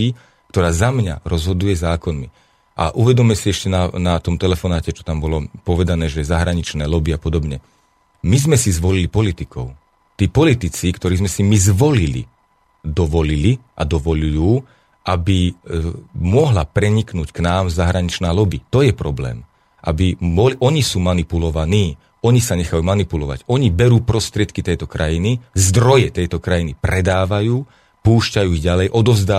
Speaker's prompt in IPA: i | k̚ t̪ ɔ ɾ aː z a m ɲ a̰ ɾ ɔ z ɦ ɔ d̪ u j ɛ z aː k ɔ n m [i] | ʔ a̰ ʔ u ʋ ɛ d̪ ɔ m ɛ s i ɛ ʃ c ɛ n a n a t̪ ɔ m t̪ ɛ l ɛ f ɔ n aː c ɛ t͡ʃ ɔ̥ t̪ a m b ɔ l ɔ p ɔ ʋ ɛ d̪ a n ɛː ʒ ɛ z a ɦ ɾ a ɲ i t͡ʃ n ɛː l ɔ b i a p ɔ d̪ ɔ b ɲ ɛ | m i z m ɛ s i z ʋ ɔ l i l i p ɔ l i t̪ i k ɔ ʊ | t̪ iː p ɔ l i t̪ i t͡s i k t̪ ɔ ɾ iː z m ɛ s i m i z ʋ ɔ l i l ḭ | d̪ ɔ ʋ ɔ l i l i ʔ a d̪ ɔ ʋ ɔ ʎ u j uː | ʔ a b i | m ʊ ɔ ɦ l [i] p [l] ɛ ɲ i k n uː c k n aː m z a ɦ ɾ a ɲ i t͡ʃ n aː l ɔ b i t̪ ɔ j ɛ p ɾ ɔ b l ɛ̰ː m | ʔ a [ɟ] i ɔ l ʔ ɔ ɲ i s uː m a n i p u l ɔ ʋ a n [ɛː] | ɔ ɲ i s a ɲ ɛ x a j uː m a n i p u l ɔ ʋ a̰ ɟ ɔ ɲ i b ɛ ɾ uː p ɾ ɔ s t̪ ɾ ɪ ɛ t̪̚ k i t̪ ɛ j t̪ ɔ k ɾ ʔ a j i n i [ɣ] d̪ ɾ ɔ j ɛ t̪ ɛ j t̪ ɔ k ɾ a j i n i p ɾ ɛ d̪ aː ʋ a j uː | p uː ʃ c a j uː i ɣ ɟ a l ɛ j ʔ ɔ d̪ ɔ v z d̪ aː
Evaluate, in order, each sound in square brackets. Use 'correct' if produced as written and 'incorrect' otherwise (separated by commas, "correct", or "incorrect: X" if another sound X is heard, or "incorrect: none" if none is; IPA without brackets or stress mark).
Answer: correct, incorrect: a, incorrect: ɾ, incorrect: b, incorrect: iː, incorrect: z